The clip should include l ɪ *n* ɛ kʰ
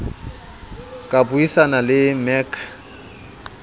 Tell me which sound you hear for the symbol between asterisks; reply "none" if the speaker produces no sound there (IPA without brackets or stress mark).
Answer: m